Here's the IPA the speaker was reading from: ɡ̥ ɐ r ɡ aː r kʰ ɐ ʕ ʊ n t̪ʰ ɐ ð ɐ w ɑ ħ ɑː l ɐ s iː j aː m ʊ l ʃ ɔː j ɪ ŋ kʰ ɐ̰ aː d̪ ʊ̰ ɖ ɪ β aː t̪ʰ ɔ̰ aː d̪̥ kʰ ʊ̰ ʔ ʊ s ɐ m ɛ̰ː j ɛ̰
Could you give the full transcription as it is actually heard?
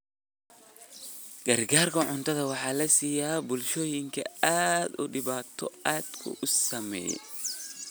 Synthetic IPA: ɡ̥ ɐ r ɡ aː r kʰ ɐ ʕ ʊ n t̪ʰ ɐ ð ɐ w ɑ ħ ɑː l ɐ s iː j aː b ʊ l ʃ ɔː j ɪ ŋ kʰ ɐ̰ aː d̪ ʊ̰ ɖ ɪ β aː t̪ʰ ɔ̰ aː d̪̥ kʰ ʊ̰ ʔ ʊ s ɐ m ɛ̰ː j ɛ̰

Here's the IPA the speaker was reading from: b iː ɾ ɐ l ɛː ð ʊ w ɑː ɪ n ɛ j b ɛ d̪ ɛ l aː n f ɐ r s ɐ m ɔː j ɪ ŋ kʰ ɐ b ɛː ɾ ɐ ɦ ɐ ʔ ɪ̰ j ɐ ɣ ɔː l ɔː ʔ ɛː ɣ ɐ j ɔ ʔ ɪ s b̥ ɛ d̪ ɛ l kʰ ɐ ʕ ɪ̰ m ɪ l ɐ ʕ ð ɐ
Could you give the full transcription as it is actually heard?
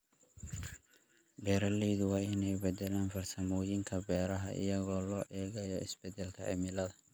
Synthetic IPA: b ɛː ɾ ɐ l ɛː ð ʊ w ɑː ɪ n ɛ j b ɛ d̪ ɛ l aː n f ɐ r s ɐ m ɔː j ɪ ŋ kʰ ɐ b ɛː ɾ ɐ ɦ ɐ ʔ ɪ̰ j ɐ ɣ ɔː l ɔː ʔ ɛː ɣ ɐ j ɔ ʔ ɪ s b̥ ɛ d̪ ɛ l kʰ ɐ ʕ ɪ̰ m ɪ l ɐ ð ɐ

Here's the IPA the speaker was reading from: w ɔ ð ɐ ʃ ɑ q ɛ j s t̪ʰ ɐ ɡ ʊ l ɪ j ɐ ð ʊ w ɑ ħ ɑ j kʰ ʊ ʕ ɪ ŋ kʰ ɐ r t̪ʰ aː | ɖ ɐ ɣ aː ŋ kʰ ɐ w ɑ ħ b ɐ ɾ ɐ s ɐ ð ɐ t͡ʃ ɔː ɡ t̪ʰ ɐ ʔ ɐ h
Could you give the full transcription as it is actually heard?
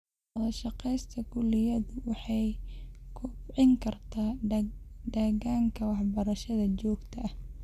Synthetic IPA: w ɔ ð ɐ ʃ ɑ q ɛ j s t̪ʰ ɐ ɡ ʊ l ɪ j ɐ ð ʊ w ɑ ħ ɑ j kʰ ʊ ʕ ɪ ŋ kʰ ɐ r t̪ʰ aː | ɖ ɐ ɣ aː ŋ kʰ ɐ w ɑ ħ b ɐ ɾ ɐ ʃ ɐ ð ɐ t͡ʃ ɔː ɡ t̪ʰ ɐ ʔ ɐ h

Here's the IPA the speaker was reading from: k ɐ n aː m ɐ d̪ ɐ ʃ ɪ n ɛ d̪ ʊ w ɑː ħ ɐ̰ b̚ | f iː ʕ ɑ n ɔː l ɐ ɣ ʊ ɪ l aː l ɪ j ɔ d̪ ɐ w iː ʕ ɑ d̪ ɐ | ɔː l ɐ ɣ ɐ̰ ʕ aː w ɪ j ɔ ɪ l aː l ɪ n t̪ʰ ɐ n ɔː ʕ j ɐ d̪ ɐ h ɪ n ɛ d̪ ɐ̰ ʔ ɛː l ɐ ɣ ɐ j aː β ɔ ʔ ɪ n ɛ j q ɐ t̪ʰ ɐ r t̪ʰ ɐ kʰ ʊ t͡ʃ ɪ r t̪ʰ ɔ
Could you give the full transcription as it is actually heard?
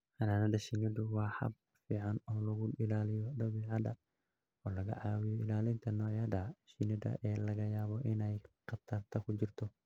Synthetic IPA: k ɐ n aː n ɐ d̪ ɐ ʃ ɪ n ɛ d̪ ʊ w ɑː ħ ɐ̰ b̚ | f iː ʕ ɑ n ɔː l ɐ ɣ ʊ ɪ l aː l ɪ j ɔ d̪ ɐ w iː ʕ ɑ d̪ ɐ | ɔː l ɐ ɣ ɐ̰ ʕ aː w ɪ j ɔ ɪ l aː l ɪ n t̪ʰ ɐ n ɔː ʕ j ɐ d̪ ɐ ʃ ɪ n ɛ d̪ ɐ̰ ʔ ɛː l ɐ ɣ ɐ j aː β ɔ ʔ ɪ n ɛ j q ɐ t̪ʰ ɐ r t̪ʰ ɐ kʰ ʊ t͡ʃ ɪ r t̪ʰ ɔ

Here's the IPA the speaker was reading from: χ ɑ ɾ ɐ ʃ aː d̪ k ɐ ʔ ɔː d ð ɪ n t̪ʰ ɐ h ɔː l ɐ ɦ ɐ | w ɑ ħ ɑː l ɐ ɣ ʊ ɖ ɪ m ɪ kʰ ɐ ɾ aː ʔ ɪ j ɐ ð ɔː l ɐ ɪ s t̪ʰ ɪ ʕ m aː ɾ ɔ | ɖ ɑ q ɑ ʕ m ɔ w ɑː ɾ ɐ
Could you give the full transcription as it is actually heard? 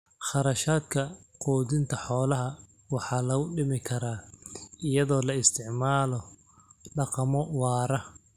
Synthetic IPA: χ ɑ ɾ ɐ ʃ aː d̪ kʰ ɐ q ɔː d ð ɪ n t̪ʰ ɐ ħ ɔː l ɐ ɦ ɐ | w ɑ ħ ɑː l ɐ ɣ ʊ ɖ ɪ m ɪ kʰ ɐ ɾ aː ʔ ɪ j ɐ ð ɔː l ɐ ɪ s t̪ʰ ɪ ʕ m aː l ɔ | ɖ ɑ q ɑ m ɔ w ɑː ɾ ɐ

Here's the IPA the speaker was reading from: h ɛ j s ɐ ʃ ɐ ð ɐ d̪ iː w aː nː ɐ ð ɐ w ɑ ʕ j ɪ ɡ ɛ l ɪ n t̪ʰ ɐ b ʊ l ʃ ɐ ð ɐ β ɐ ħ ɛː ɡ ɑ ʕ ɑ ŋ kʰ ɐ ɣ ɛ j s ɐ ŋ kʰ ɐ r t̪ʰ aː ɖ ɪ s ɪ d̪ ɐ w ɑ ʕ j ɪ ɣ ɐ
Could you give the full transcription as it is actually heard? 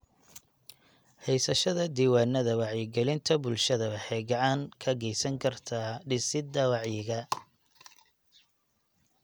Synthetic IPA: h ɛ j s ɐ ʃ ɐ ð ɐ d̪ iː w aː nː ɐ ð ɐ w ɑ ʕ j ɪ ɡ ɛ l ɪ n t̪ʰ ɐ b ʊ l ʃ ɐ ð ɐ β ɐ ħ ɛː ɡ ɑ ʕ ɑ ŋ kʰ ɐ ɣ ɛ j s ɐ ŋ kʰ ɐ r t̪ʰ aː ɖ ɪ s ɪ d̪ ɐ w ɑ ʕ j ɪ ɣ ɐ

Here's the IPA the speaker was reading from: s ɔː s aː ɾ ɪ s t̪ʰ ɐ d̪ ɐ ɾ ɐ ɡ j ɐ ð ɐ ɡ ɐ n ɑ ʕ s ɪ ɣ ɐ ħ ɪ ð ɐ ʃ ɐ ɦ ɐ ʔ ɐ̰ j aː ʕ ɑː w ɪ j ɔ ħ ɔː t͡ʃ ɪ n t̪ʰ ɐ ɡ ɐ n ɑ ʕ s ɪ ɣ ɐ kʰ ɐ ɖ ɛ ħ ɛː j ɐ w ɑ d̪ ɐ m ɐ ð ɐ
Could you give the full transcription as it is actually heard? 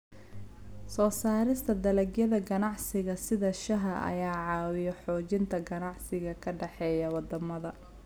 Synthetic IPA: s ɔː s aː ɾ ɪ s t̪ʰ ɐ d̪ ɐ l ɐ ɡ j ɐ ð ɐ ɡ ɐ n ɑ ʕ s ɪ ɣ ɐ s ɪ ð ɐ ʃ ɐ ɦ ɐ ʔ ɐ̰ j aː ʕ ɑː w ɪ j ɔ ħ ɔː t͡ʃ ɪ n t̪ʰ ɐ ɡ ɐ n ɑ ʕ s ɪ ɣ ɐ kʰ ɐ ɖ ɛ ħ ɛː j ɐ w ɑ d̪ ɐ m ɐ ð ɐ

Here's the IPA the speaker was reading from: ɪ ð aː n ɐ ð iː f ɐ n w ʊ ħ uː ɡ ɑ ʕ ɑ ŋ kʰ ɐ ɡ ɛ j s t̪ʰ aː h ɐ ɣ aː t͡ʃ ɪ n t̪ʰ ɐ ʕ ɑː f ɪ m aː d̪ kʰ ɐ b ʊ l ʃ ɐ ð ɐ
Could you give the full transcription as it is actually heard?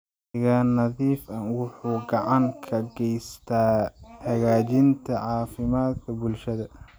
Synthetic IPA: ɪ ɣ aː n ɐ ð iː f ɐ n w ʊ ħ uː ɡ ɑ ʕ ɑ ŋ kʰ ɐ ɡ ɛ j s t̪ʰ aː h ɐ ɣ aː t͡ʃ ɪ n t̪ʰ ɐ ʕ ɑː f ɪ m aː d̪ kʰ ɐ b ʊ l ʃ ɐ ð ɐ

